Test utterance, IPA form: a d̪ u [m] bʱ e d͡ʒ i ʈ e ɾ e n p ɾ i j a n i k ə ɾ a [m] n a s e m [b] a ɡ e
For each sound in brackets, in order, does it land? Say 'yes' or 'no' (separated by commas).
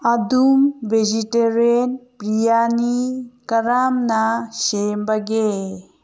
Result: yes, yes, yes